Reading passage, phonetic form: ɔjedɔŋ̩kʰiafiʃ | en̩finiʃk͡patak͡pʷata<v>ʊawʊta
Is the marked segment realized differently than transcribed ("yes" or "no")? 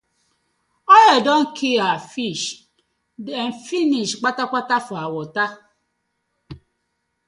yes